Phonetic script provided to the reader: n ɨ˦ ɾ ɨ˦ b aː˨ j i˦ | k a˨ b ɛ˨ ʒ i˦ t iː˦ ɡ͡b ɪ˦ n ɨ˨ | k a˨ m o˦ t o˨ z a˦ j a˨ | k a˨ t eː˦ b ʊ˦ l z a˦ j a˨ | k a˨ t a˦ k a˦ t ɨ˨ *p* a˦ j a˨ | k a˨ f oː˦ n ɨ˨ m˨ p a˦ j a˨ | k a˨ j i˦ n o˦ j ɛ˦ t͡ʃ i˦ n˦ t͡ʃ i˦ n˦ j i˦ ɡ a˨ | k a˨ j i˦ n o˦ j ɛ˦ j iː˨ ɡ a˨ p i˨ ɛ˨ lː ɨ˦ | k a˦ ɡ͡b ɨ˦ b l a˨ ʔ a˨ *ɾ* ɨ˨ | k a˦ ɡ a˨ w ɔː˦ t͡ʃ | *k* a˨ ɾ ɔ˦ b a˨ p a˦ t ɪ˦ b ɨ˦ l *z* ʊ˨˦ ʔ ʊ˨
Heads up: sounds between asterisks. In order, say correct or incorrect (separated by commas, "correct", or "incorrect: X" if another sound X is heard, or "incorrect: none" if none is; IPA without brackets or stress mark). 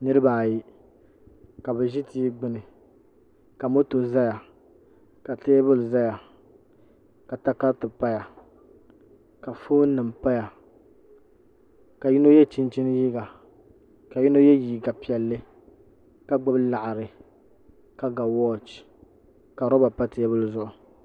correct, correct, correct, correct